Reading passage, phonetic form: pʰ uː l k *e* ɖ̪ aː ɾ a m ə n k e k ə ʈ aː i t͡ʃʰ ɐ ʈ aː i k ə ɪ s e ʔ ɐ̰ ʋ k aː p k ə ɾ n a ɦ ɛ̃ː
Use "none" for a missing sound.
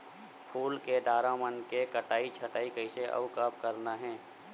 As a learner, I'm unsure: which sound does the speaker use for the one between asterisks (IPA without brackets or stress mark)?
e